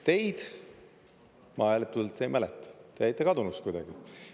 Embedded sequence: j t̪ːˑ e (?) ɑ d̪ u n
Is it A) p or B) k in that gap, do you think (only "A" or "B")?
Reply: B